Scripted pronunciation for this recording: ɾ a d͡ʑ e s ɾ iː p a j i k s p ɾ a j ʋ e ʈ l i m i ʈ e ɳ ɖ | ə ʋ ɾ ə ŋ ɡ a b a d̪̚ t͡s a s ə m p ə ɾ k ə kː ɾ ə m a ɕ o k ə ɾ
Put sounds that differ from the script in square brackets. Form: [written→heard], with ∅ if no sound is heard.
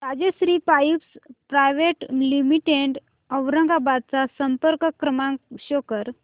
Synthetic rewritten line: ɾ a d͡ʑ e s ɾ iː p a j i [k→p] s p ɾ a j ʋ e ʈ l i m i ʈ e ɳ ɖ | ə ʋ ɾ ə ŋ ɡ a b a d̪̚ t͡s a s ə m p ə ɾ k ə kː ɾ ə m a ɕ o k ə ɾ